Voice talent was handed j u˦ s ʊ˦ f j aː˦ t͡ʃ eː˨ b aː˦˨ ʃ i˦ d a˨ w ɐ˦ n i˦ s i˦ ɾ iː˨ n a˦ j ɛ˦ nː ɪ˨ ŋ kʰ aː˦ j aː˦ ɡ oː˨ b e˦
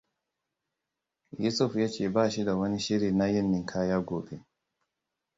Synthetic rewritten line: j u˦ s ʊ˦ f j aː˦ t͡ʃ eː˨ b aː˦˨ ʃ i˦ d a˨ w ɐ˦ n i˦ ʃ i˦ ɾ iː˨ n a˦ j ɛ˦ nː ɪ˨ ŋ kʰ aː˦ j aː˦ ɡ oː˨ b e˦